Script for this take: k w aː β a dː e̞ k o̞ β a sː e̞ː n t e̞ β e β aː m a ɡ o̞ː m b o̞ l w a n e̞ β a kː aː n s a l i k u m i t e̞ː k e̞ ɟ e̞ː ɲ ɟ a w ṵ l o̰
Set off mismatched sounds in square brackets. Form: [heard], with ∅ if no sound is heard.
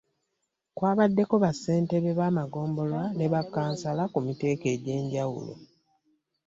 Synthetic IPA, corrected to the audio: k w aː β a dː e̞ k o̞ β a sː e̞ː n t e̞ β e β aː m a ɡ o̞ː m b o̞ l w a n e̞ β a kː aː n s a l [a] k u m i t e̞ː k e̞ ɟ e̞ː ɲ ɟ a w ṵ l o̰